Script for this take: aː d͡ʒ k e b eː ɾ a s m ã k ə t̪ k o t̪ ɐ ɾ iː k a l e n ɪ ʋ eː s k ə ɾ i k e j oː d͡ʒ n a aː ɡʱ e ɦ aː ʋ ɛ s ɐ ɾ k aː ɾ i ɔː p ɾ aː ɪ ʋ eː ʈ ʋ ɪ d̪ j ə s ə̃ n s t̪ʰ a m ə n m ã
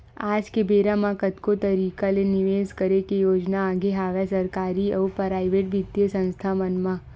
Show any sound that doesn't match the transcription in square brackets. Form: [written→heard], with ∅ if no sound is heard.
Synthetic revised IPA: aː d͡ʒ k e b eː ɾ a [s→∅] m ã k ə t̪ k o t̪ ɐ ɾ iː k a l e n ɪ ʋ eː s k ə ɾ [i→e] k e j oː d͡ʒ n a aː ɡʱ e ɦ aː ʋ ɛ s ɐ ɾ k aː ɾ i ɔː p ɾ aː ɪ ʋ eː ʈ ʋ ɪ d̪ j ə s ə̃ n s t̪ʰ a m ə n m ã